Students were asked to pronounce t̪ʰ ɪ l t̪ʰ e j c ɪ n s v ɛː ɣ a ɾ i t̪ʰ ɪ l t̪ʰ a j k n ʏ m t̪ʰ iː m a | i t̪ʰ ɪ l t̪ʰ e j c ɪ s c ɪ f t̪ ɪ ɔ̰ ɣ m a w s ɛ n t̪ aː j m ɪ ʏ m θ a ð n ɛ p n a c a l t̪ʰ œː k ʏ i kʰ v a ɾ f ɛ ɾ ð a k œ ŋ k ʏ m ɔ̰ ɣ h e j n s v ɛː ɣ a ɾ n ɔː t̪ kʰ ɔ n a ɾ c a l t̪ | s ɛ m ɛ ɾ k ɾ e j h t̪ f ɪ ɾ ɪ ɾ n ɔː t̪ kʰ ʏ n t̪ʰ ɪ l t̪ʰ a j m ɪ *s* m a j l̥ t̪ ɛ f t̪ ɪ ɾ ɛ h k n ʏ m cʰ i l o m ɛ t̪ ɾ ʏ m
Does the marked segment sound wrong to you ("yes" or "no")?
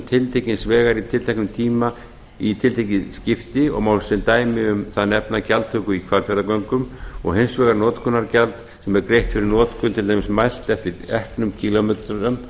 no